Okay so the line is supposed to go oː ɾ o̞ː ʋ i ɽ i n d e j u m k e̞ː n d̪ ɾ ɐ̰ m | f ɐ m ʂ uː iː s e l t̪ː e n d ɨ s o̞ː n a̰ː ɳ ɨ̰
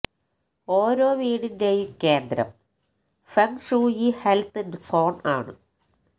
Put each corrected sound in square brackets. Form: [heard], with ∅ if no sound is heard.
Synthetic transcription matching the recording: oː ɾ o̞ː ʋ [iː] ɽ i n d e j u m k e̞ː n d̪ ɾ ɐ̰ m | f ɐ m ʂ uː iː [h] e l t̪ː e n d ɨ s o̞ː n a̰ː ɳ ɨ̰